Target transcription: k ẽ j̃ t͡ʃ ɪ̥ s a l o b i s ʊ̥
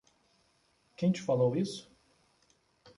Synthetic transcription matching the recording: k ẽ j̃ t͡ʃ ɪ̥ f a l o w i s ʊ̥